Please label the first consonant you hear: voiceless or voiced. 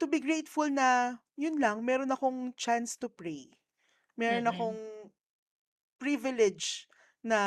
voiceless